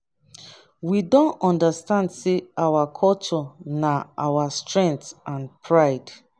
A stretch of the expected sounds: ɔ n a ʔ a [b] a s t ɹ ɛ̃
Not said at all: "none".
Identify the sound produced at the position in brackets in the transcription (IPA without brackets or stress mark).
w